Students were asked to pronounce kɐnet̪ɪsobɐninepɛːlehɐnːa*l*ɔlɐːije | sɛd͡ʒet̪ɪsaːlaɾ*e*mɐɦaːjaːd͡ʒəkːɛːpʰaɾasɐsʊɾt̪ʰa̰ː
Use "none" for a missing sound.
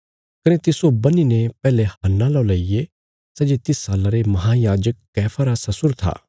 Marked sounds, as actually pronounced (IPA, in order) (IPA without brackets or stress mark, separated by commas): l, e